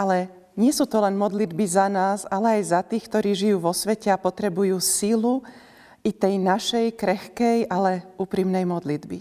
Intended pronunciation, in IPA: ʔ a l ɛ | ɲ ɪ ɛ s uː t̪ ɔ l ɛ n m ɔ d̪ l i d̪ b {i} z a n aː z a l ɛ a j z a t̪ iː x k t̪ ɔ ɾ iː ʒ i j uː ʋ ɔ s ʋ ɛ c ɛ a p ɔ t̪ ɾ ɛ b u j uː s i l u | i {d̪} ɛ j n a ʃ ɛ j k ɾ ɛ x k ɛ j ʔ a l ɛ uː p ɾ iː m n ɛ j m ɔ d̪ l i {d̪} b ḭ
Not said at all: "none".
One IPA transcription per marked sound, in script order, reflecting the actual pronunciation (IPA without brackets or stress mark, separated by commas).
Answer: i, t̪, d̪